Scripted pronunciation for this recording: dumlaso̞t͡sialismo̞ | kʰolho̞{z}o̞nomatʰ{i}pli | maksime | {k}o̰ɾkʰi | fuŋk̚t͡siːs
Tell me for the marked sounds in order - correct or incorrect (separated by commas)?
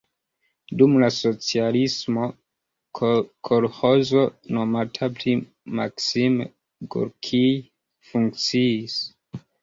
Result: correct, incorrect, incorrect